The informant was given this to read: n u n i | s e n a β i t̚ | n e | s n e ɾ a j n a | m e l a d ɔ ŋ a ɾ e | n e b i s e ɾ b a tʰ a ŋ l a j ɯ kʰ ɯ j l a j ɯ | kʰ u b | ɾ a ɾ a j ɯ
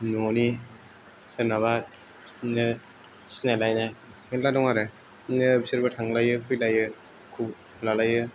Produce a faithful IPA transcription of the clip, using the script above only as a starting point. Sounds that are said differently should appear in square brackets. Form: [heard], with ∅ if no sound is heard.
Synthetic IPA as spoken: n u n i | s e n a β [a] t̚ | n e | s n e [l] a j n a | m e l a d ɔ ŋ a ɾ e | n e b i s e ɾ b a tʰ a ŋ l a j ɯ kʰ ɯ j l a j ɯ | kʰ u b | [l] a [l] a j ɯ